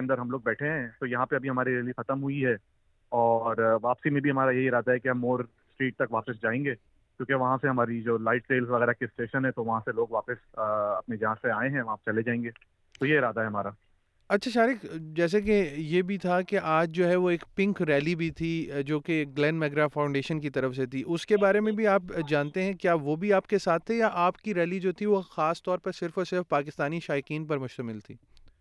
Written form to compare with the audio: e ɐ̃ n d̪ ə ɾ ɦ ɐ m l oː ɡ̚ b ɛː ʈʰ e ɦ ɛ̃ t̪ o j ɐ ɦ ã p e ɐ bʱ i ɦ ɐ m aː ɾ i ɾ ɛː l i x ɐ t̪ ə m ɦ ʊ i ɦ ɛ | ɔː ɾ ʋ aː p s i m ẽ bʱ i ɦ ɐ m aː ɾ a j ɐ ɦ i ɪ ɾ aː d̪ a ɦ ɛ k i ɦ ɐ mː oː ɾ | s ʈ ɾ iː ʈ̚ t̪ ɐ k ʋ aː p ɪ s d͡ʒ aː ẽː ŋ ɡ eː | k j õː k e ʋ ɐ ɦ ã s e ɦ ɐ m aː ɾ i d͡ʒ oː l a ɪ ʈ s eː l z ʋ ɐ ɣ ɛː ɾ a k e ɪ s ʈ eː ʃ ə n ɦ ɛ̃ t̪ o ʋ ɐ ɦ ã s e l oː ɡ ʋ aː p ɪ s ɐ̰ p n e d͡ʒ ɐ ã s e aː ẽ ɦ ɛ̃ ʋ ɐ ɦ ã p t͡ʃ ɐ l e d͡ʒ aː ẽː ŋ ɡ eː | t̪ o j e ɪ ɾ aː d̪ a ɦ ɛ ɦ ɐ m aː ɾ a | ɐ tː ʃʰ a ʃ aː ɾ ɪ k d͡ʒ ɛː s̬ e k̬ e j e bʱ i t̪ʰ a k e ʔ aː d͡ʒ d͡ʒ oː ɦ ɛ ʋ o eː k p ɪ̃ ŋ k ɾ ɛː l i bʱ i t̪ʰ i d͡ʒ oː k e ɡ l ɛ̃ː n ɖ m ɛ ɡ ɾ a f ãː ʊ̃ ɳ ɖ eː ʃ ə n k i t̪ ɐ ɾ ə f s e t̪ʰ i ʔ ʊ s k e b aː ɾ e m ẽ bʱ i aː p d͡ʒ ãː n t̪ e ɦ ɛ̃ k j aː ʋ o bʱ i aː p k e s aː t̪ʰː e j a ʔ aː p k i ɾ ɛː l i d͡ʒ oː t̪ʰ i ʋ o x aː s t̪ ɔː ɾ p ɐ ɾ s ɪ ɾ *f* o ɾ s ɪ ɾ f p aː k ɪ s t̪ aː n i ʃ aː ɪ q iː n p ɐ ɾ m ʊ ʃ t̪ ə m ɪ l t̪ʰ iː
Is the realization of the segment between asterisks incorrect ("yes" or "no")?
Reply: no